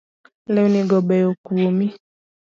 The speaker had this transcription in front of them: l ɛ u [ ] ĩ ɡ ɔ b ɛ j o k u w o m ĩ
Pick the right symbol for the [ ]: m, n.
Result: n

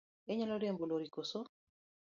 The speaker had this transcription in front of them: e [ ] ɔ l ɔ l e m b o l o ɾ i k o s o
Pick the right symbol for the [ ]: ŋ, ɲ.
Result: ɲ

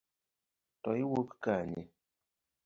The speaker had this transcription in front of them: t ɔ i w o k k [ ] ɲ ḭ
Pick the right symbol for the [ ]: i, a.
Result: a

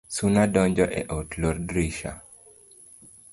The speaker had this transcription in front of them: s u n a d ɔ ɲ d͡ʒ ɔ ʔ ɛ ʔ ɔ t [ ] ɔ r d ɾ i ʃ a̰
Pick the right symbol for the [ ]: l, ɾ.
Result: l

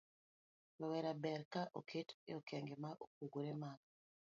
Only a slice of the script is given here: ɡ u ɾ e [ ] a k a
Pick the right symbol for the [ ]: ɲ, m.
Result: m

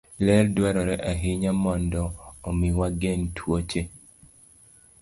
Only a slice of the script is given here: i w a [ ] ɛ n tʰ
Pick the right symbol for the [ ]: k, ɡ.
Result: ɡ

